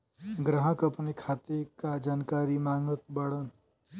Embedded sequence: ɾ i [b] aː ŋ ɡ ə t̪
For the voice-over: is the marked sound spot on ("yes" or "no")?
no